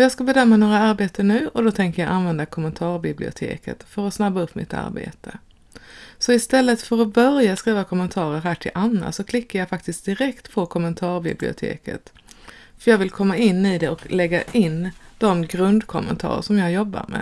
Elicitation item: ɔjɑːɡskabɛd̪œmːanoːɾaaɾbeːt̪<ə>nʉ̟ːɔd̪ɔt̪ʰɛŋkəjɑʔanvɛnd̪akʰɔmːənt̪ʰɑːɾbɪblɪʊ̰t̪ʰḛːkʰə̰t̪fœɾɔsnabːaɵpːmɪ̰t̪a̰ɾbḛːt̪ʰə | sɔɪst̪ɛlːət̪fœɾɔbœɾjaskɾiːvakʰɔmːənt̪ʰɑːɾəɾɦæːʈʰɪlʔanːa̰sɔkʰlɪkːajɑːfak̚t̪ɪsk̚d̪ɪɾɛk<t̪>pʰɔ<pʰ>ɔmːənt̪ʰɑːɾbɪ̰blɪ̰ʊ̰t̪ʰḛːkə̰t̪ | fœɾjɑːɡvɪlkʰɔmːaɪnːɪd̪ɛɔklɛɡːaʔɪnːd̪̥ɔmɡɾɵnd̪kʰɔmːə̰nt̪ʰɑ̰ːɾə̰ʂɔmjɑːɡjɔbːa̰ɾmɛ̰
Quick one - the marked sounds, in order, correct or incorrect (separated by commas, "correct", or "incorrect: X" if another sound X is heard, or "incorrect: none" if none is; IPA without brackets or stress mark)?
correct, correct, incorrect: kʰ